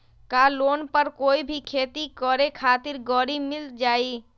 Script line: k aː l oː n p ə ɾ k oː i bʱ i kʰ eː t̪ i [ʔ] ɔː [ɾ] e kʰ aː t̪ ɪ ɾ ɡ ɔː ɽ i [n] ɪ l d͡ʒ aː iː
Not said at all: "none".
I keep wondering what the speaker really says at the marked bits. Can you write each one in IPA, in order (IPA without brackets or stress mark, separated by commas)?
k, ɾ, m